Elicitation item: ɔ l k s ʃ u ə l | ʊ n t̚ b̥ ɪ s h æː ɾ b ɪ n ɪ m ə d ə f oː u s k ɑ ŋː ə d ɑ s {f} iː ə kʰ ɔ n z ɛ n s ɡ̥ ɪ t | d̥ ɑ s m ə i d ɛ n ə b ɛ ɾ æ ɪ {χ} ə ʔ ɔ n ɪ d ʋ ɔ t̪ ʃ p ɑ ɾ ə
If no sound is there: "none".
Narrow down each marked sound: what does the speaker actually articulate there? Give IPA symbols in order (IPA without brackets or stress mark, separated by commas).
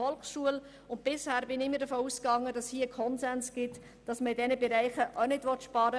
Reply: h, χ